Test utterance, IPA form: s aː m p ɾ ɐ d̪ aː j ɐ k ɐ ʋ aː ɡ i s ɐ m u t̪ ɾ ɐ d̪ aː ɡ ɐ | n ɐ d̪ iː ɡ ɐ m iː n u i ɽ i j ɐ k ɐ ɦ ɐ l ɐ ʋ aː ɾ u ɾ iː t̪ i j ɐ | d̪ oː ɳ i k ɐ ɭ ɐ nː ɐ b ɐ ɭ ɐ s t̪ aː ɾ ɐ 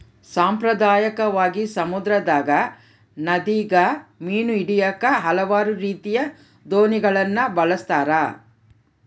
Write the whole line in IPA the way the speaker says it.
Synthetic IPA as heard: s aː m p ɾ ɐ d̪ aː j ɐ k ɐ ʋ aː ɡ i s ɐ m u d̪ ɾ ɐ d̪ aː ɡ ɐ | n ɐ d̪ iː ɡ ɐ m iː n u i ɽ i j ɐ k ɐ ɦ ɐ l ɐ ʋ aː ɾ u ɾ iː t̪ i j ɐ | d̪ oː n i ɡ ɐ ɭ ɐ nː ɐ b ɐ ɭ ɐ s t̪ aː ɾ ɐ